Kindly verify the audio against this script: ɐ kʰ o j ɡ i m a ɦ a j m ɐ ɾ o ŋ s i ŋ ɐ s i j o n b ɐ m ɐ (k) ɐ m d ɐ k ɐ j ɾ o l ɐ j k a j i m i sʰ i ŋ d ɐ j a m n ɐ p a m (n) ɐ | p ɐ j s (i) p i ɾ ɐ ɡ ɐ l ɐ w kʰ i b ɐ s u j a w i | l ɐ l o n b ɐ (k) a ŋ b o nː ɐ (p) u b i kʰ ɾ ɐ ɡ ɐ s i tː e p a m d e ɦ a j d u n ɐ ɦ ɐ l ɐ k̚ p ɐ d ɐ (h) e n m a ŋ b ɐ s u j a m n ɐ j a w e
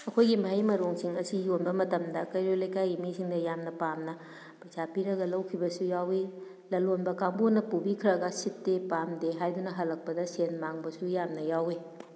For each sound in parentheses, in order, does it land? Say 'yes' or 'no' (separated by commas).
no, yes, no, yes, yes, no